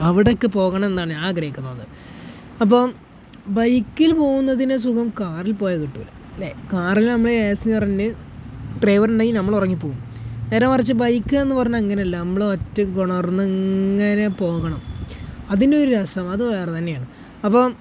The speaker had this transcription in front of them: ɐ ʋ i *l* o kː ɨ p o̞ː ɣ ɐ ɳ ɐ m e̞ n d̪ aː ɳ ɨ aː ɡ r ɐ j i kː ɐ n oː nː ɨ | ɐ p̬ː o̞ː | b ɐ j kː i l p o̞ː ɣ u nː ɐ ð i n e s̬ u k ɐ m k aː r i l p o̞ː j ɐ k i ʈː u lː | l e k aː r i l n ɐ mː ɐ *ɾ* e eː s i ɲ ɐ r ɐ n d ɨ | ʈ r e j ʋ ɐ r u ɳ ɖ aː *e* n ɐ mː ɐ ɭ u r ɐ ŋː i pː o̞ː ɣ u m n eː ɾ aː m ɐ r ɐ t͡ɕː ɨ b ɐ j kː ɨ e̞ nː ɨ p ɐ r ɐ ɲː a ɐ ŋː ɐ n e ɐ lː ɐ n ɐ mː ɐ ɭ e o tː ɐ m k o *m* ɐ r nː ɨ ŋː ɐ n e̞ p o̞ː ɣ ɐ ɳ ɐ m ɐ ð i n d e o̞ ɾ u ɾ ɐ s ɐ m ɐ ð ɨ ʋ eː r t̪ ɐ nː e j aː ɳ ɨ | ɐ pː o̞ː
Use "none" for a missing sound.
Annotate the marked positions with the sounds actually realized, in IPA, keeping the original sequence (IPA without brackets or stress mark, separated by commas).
ɽ, ɭ, i, ɳ